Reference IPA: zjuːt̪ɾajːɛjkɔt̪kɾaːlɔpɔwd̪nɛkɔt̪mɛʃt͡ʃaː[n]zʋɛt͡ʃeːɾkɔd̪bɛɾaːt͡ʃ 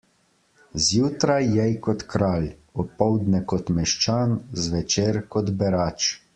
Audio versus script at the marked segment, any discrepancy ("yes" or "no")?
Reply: no